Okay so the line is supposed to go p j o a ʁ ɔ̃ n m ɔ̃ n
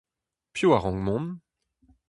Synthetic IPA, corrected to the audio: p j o a ʁ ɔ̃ ŋ m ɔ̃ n